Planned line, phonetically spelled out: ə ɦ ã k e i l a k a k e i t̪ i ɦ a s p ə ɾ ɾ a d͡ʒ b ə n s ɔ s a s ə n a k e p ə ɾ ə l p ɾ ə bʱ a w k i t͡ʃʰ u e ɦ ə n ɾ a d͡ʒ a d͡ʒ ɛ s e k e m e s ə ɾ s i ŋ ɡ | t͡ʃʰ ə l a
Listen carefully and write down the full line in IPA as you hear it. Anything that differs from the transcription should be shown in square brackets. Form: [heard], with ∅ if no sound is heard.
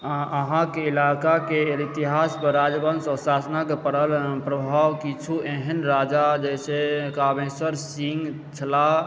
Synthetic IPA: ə ɦ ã k e i l a k a k e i t̪ i ɦ a s p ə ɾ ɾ a d͡ʒ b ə n s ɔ s a s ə n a k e p ə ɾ ə l p ɾ ə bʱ a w k i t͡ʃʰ u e ɦ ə n ɾ a d͡ʒ a d͡ʒ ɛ s e k [a] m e s ə ɾ s i ŋ ɡ | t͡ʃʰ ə l a

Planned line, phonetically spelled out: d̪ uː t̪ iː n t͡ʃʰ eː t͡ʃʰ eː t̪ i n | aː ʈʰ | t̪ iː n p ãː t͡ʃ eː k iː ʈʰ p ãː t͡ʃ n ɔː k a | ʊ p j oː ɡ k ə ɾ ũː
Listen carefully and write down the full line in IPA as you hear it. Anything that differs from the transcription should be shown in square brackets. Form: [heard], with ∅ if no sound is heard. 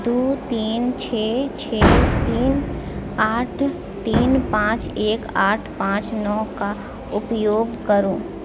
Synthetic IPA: d̪ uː t̪ iː n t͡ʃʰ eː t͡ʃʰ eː t̪ [iː] n | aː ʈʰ | t̪ iː n p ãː t͡ʃ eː k [aː] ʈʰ p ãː t͡ʃ n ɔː k a | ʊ p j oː ɡ k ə ɾ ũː

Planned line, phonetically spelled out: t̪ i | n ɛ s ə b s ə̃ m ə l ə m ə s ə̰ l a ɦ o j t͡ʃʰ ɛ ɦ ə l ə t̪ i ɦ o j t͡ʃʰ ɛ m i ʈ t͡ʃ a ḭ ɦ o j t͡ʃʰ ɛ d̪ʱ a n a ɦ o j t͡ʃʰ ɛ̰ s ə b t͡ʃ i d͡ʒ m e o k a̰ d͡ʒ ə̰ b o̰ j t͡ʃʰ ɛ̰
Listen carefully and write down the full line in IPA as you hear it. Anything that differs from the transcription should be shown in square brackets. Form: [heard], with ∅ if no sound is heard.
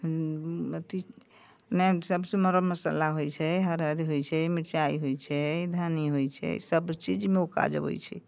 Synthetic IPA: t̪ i | n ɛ s ə b s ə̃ m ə [ɾ] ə m ə s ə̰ l a ɦ o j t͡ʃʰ ɛ ɦ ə [ɾ] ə [d̪] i ɦ o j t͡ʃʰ ɛ m i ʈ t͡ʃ a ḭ ɦ o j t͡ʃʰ ɛ d̪ʱ a n [i] ɦ o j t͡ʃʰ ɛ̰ s ə b t͡ʃ i d͡ʒ m e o k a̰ d͡ʒ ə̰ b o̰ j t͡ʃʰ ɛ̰

